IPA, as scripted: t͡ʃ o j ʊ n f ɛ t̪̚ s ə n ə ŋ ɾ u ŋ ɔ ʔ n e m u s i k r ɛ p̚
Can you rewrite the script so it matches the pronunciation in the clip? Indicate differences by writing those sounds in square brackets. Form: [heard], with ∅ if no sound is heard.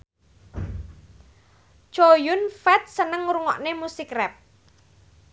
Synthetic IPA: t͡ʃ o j ʊ n f ɛ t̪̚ s ə n ə ŋ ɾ u ŋ ɔ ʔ n e m u s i k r ɛ p̚